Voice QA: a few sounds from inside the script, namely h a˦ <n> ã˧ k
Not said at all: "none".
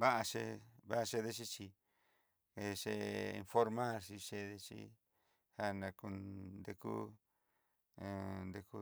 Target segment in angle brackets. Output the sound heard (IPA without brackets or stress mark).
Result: n